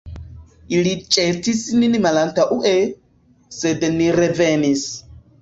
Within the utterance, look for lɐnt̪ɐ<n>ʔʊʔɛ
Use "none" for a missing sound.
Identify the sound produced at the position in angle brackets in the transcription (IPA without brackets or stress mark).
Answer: none